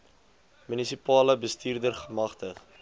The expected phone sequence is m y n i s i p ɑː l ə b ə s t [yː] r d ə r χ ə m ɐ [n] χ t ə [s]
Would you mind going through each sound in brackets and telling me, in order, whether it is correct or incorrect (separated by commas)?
incorrect, incorrect, incorrect